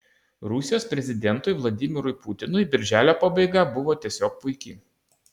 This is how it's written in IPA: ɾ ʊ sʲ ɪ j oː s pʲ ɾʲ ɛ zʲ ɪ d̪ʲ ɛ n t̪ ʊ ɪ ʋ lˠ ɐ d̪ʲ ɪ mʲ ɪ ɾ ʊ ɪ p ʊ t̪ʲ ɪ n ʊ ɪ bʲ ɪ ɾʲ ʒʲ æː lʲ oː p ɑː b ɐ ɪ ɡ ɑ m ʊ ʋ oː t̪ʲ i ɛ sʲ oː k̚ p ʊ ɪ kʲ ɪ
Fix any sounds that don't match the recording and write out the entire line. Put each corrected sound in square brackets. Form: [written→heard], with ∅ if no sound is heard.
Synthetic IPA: ɾ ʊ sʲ ɪ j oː s pʲ ɾʲ ɛ zʲ ɪ d̪ʲ ɛ n t̪ ʊ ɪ ʋ lˠ ɐ d̪ʲ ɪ mʲ ɪ ɾ ʊ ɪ p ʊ t̪ʲ ɪ n ʊ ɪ bʲ ɪ ɾʲ ʒʲ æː lʲ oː p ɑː b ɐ ɪ ɡ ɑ [m→b] ʊ ʋ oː t̪ʲ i ɛ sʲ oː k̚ p ʊ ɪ kʲ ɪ